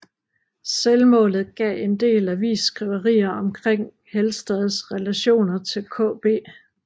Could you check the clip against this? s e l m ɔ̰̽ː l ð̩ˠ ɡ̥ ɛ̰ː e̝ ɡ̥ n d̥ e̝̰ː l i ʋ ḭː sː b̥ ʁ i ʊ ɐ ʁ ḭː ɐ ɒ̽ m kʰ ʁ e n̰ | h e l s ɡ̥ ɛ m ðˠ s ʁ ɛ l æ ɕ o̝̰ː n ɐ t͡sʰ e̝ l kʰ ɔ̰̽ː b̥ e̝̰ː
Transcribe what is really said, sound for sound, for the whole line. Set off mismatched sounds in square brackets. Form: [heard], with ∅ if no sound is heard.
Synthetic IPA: s e l m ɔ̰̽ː l ð̩ˠ ɡ̥ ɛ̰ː e̝ [∅] n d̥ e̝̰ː l [æ] ʋ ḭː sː [ɡ̥] ʁ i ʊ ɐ ʁ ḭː ɐ ɒ̽ m kʰ ʁ e [ŋ̰] | h e l s [d̥] ɛ [∅] ðˠ s ʁ ɛ l æ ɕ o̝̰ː n ɐ t͡sʰ e̝ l kʰ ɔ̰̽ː b̥ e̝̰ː